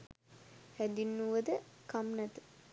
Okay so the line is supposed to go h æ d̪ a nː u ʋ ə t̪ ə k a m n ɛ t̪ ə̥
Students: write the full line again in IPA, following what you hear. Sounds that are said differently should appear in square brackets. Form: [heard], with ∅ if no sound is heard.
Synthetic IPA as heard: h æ d̪ [i] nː u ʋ ə [d̪] ə k a m n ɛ t̪ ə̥

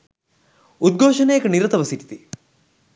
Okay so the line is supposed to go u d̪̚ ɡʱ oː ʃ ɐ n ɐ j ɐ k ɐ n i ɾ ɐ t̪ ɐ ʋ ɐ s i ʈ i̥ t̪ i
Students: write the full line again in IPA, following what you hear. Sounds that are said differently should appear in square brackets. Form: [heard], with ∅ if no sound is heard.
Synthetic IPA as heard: u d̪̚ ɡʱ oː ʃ ɐ n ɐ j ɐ k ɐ n i ɾ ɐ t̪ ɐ ʋ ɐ s i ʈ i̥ t̪ i

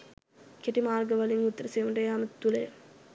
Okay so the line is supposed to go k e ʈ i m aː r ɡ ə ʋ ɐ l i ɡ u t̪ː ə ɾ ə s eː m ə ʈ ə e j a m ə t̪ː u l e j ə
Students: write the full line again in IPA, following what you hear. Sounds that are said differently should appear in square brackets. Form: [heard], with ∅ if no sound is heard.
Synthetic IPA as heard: k e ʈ i m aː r ɡ ə ʋ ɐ l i [ŋ] u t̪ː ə ɾ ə s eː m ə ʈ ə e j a m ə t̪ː u l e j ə

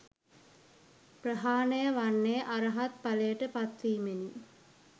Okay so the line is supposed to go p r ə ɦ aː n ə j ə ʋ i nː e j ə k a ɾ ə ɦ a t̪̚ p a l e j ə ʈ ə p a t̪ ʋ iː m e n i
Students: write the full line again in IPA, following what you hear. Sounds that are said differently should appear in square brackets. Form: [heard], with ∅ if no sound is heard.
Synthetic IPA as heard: p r ə ɦ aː n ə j ə ʋ [a] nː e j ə [ʔ] a ɾ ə ɦ a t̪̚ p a l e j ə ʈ ə p a t̪ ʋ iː m e n i

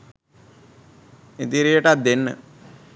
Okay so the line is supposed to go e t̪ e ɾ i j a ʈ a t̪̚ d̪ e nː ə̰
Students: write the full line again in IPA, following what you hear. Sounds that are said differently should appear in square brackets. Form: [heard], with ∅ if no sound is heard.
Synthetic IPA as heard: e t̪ [i] ɾ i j [ə] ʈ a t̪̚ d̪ e nː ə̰

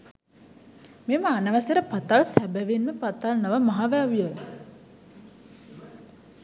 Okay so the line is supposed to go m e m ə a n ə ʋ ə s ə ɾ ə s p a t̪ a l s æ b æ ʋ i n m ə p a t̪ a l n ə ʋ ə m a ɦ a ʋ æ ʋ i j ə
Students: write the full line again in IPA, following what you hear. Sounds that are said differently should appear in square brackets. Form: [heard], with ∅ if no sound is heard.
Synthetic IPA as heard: m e m ə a n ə ʋ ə s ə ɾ ə [∅] p a t̪ a l s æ b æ ʋ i n m ə p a t̪ a l n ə ʋ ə m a ɦ a ʋ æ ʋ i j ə

